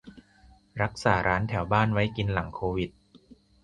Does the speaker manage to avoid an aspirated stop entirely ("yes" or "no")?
no